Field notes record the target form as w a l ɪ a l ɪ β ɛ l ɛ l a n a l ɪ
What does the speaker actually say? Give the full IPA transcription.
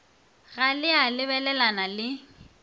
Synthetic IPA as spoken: ɣ a l ɪ a l ɪ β ɛ l ɛ l a n a l ɪ

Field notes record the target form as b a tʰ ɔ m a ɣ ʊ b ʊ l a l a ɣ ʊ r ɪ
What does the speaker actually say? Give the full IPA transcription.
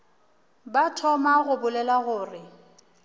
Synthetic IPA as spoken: b a tʰ ɔ m a ɣ ʊ b ʊ l ɛ l a ɣ ʊː r ɪ

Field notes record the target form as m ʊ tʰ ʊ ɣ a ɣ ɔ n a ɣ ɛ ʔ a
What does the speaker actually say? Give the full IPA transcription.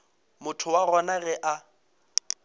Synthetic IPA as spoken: m ʊ tʰ ʊ w a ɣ ɔ n a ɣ ɛ ʔ a

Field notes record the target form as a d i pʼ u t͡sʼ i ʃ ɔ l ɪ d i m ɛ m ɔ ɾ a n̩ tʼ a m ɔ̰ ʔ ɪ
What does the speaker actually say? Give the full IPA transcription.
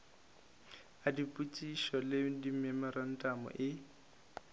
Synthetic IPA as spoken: a d i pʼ u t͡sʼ i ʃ ɔ l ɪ d i m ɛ m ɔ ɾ a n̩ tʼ a m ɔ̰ ʔ ɪ

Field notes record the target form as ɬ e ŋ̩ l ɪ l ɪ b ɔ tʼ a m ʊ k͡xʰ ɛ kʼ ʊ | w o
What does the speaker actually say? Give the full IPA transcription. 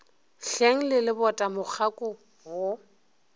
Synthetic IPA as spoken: ɬ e ŋ̩ l ɪ l ɪ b ɔ tʼ a m ʊ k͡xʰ a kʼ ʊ | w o

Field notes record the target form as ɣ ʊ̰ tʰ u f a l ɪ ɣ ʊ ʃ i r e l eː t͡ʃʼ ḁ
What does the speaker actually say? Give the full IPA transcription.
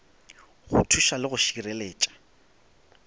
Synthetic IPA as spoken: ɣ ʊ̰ tʰ u ʃ a l ɪ ɣ ʊ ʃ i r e l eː t͡ʃʼ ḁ

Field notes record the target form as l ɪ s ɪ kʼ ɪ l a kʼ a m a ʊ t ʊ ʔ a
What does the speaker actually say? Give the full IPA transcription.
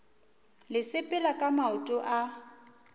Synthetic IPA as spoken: l ɪ s ɪ pʼ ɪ l a kʼ a m a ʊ tʼ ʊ ʔ a

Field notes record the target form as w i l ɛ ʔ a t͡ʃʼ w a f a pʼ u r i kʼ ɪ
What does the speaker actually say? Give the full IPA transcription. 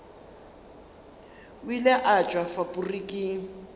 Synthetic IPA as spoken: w i l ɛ ʔ a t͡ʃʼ w a f a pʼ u r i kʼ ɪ

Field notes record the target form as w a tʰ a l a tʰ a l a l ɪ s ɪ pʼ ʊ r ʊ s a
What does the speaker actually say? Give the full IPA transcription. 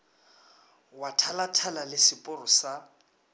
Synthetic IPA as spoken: w a tʰ a l a tʰ a l a l ɪ s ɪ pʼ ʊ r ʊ s a

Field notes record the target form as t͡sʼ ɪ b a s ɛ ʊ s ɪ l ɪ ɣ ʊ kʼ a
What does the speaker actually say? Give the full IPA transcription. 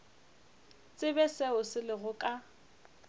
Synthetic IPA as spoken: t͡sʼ ɪ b ɛ s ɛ ʊ s ɪ l ɪ ɣ ʊ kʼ a

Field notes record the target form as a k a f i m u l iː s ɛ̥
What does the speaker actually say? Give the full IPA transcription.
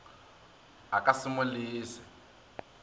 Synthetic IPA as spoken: a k a s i m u l iː s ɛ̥

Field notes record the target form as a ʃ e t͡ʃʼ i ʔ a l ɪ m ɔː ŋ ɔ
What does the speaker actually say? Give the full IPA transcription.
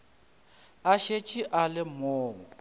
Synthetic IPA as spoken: a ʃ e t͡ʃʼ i ʔ a l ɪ m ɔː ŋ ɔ

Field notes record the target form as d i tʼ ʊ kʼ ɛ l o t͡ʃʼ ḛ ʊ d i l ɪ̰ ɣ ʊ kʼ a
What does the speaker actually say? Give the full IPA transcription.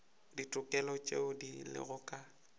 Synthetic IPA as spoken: d i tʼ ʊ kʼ ɛ l ɔ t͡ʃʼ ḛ ʊ d i l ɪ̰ ɣ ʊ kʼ a

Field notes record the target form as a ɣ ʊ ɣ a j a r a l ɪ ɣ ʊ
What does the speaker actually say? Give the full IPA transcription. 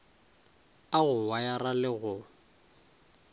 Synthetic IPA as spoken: a ɣ ʊ w a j a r a l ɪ ɣ ʊ

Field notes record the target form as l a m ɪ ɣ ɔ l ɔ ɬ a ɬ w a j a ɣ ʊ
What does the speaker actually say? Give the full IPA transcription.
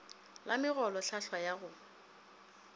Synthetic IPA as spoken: l a m ɪ ɣ ɔ l ɔ ɬ a ɬ w a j a ɣ ʊ

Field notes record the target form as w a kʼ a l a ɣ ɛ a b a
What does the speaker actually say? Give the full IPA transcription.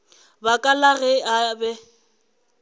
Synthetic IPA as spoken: b a kʼ a l a ɣ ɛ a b ɛ

